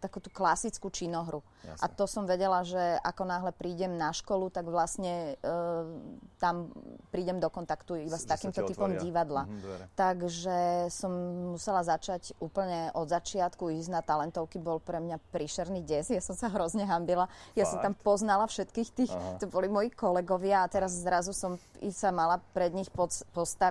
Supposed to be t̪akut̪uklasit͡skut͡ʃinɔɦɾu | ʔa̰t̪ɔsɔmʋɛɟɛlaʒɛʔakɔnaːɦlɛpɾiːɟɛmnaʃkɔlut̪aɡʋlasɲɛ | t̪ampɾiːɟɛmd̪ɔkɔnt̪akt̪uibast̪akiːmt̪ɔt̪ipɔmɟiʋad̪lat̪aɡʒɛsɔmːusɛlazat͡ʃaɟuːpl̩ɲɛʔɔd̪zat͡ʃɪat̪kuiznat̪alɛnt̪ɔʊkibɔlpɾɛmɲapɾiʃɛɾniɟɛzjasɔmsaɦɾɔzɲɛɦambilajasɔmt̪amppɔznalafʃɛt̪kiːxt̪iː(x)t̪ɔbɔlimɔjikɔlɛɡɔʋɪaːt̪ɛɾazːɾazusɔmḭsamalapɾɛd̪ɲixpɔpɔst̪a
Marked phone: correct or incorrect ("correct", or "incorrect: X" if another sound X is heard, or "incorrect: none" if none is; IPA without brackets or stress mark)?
correct